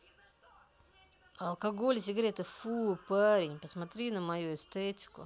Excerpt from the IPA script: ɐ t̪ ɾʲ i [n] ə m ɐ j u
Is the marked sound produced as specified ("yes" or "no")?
yes